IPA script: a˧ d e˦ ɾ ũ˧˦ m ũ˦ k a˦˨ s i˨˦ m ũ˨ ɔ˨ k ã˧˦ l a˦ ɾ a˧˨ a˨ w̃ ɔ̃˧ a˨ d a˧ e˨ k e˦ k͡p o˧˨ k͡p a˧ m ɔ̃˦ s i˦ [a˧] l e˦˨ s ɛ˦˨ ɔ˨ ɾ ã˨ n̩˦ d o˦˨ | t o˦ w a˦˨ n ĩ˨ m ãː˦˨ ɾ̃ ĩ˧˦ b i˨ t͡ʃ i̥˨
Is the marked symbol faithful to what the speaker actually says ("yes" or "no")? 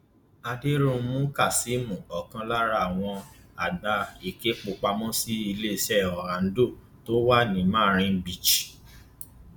no